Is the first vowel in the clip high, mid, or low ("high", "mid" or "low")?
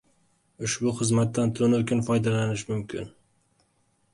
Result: high